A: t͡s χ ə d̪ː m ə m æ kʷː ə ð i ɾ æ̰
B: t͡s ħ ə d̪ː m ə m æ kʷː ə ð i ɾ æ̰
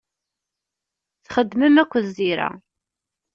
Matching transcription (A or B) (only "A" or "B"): A